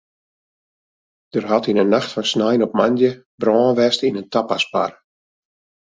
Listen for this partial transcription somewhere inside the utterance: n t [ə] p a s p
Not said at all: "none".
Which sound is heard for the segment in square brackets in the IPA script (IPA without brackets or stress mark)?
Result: a